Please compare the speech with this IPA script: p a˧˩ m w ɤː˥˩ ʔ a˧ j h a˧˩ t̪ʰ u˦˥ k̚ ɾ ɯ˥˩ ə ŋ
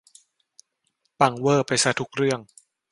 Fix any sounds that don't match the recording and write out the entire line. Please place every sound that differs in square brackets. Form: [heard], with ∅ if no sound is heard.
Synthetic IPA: p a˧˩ [ŋ] w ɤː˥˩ [p] a˧ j [s] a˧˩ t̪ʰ u˦˥ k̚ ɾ ɯ˥˩ ə ŋ